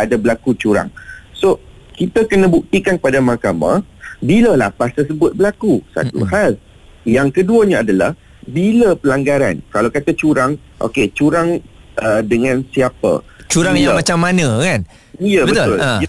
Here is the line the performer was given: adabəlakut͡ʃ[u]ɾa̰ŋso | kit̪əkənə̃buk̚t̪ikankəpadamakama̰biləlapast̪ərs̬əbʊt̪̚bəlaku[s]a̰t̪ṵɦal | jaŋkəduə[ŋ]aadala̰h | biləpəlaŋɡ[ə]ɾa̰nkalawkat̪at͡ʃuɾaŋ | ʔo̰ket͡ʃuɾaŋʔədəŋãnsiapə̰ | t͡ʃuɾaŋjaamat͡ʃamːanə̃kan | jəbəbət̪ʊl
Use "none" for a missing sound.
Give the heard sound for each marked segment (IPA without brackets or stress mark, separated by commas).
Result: u, s, ɲ, a